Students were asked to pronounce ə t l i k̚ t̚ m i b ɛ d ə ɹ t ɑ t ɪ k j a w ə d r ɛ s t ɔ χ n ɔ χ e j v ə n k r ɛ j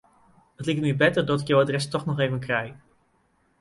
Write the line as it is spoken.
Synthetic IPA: ə t l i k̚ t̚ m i b ɛ t ə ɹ d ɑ t ɪ k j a w a d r ɛ s t ɔ χ n ɔ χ e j v ə n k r ɛ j